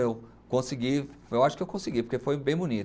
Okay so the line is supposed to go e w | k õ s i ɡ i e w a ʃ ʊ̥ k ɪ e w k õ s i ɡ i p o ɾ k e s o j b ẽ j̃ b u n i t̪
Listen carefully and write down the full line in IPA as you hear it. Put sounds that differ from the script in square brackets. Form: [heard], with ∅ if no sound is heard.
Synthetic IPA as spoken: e w | k õ s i ɡ i e w a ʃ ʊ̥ k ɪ e w k õ s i ɡ i p o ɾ k e [f] o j b ẽ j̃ b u n i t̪